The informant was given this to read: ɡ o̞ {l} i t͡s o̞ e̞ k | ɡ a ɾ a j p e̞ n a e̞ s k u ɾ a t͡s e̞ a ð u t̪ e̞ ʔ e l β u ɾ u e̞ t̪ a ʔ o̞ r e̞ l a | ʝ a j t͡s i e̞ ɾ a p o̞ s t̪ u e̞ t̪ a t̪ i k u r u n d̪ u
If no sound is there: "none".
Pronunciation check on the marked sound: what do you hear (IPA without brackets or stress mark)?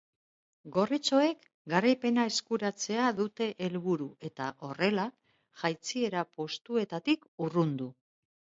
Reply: r